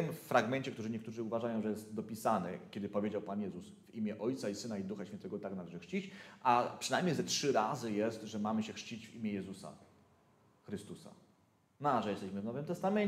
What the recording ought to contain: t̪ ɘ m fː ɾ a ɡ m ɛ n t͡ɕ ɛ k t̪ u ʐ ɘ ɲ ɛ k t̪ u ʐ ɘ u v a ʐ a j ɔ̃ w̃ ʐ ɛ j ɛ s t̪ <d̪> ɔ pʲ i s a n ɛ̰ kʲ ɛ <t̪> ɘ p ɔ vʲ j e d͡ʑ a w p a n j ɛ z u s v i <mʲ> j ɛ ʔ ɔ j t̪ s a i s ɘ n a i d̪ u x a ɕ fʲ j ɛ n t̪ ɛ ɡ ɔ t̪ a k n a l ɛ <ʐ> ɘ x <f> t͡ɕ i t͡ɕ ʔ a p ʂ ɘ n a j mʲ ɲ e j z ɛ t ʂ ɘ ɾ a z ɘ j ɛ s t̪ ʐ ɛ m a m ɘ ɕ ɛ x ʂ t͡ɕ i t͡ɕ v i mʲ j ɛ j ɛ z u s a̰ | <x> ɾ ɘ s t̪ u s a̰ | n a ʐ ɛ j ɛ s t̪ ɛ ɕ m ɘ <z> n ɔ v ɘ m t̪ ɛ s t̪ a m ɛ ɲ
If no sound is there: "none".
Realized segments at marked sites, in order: d̪, d̪, mʲ, ʐ, ʂ, x, v

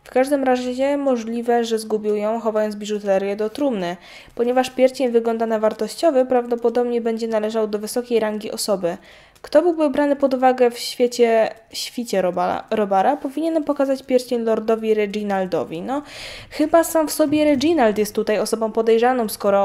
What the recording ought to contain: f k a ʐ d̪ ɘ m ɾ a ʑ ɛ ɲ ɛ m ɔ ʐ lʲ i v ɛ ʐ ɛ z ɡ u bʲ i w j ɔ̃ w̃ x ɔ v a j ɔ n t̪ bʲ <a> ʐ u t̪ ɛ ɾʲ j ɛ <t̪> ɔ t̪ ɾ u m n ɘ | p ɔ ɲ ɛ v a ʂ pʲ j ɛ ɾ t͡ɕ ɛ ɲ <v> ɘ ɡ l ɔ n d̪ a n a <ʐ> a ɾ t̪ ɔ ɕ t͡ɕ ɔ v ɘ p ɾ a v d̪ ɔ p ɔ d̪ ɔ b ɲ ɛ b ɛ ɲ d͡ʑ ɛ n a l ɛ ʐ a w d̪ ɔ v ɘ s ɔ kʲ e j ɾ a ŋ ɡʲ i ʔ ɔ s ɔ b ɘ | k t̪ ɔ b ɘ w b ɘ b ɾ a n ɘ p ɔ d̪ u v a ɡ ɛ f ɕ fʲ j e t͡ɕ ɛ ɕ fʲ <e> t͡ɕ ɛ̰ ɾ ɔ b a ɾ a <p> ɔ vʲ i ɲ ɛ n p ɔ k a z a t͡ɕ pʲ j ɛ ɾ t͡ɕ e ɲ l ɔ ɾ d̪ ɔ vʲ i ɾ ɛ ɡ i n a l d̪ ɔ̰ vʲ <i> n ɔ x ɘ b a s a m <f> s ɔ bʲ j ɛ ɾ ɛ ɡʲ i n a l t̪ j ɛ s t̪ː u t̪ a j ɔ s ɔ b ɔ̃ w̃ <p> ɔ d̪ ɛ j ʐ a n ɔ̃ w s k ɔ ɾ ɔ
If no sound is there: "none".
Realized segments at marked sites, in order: i, d̪, v, v, i, p, i, f, p

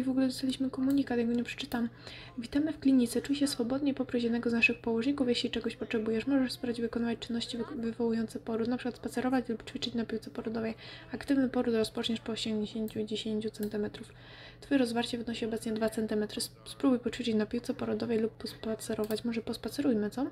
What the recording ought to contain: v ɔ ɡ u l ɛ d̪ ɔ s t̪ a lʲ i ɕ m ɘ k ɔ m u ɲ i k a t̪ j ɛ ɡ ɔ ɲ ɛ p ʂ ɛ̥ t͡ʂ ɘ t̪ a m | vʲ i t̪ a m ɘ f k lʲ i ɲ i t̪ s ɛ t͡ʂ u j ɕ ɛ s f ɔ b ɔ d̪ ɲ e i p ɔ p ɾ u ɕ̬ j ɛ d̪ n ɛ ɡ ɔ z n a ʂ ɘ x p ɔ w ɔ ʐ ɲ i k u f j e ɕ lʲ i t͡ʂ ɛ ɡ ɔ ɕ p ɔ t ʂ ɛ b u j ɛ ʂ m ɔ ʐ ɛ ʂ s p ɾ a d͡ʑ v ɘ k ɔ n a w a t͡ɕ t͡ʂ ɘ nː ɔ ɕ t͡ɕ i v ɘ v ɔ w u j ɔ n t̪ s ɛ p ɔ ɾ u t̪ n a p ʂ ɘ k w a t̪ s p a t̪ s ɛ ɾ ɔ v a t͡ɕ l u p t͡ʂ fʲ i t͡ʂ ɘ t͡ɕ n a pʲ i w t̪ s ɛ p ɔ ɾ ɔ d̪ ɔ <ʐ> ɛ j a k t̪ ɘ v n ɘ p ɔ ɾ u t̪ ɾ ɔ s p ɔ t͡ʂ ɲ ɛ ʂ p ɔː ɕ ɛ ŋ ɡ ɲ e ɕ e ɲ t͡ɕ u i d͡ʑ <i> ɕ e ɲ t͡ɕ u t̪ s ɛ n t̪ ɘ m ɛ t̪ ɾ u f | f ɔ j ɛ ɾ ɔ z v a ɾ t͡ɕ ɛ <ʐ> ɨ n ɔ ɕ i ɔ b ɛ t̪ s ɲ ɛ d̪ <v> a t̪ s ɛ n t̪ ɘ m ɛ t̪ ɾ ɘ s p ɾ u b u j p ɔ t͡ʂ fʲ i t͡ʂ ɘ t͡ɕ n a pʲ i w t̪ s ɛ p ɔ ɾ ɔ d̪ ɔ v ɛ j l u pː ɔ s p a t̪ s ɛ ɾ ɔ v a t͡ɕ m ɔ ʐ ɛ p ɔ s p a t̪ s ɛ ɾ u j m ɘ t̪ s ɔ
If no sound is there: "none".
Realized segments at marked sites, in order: v, e, v, v

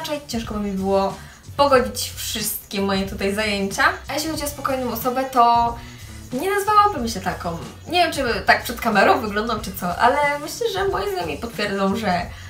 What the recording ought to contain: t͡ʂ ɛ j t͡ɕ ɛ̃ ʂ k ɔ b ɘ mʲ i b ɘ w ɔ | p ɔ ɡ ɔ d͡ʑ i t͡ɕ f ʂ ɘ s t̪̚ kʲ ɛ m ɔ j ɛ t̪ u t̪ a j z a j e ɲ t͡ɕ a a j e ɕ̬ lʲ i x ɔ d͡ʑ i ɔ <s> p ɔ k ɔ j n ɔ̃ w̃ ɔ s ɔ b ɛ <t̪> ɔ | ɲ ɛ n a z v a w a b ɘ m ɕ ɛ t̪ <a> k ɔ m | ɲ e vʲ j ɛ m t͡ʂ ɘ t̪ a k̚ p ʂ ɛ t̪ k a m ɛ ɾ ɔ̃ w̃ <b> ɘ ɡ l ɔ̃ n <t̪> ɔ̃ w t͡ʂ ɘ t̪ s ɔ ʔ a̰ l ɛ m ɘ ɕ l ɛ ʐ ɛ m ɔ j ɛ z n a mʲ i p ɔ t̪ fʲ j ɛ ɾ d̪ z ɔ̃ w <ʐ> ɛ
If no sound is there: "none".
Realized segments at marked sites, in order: s, t̪, a, v, d̪, ʐ

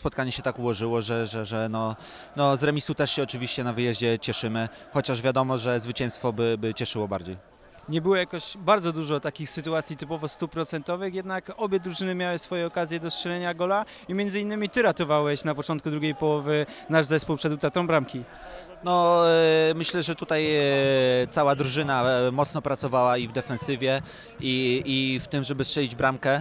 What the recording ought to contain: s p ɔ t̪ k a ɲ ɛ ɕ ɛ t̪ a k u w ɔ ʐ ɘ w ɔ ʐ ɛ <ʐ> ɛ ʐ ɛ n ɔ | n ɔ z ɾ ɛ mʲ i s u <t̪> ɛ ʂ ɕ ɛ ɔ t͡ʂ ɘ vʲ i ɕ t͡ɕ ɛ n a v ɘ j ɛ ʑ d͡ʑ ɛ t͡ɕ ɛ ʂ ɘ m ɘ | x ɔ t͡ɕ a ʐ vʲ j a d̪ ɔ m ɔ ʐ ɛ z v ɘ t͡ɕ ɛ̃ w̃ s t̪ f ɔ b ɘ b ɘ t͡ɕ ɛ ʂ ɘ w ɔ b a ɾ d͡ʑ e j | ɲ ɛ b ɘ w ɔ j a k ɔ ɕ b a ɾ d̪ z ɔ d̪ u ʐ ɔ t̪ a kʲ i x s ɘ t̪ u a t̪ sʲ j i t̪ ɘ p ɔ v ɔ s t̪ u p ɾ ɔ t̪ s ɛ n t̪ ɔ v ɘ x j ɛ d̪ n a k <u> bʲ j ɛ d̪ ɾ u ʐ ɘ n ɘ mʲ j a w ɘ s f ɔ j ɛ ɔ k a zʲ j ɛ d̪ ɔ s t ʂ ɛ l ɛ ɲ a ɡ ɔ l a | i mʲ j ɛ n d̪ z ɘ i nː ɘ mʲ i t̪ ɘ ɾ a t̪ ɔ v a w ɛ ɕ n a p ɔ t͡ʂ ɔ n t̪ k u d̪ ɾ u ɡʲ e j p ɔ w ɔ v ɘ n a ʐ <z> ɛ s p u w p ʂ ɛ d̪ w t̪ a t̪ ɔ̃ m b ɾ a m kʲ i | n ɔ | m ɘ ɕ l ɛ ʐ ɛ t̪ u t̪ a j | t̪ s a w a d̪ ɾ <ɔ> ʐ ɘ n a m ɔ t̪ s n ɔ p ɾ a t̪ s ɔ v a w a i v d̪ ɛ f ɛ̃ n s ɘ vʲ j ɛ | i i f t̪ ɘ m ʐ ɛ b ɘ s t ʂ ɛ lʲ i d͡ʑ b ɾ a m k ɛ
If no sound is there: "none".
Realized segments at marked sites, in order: ʐ, t̪, ɔ, z, u

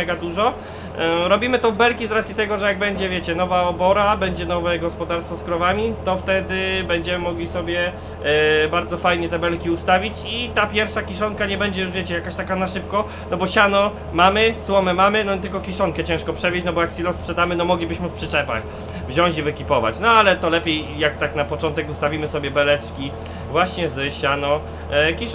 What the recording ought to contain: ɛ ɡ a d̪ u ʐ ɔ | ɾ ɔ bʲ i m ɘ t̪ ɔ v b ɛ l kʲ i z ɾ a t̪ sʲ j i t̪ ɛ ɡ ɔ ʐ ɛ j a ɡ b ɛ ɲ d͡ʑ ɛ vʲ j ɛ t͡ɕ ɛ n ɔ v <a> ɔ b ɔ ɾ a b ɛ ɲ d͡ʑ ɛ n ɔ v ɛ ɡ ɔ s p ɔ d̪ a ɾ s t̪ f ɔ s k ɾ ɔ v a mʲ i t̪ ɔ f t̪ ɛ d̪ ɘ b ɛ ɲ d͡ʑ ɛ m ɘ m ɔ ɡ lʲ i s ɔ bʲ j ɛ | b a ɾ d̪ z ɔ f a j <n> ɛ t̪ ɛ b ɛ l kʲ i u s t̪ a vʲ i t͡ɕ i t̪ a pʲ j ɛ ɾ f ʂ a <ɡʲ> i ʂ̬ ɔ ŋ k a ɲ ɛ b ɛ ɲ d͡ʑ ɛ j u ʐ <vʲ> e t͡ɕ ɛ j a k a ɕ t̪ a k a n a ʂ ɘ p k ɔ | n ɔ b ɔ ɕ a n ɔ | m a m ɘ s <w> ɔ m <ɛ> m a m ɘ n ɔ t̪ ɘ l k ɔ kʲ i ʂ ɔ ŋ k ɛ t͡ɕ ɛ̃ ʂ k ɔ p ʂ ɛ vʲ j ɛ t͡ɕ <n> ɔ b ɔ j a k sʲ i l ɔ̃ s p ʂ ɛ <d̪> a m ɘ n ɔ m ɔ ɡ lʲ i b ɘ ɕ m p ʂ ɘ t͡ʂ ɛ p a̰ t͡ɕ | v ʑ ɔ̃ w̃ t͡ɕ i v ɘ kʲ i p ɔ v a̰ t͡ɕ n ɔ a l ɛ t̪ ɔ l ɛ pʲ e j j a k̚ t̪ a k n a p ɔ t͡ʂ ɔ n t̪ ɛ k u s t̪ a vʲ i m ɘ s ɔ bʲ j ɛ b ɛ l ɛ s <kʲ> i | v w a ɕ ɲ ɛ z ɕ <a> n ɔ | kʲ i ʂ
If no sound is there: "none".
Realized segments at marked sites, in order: a, ɲ, kʲ, vʲ, w, ɛ, n, d̪, kʲ, a

